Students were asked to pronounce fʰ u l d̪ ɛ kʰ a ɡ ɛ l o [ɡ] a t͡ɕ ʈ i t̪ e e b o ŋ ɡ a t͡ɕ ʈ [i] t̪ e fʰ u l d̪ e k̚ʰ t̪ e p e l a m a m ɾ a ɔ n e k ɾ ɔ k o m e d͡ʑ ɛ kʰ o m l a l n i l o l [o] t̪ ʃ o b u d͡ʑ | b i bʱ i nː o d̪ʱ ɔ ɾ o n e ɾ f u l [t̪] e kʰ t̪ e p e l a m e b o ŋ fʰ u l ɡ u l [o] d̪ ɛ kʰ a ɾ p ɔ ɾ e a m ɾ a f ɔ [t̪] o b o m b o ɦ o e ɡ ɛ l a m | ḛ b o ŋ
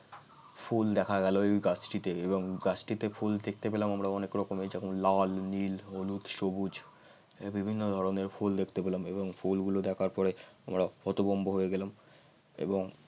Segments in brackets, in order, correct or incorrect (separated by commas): correct, correct, incorrect, incorrect, correct, correct